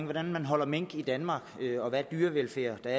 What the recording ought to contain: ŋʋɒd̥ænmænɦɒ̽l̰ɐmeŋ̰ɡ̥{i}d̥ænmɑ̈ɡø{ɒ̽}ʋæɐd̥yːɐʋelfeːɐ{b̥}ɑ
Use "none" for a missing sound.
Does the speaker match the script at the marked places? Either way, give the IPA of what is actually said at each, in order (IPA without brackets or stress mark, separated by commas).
i, ɒ̽, d̥